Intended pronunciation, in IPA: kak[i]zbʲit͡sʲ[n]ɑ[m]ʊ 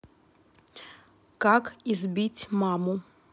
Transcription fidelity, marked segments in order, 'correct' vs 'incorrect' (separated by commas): correct, incorrect, correct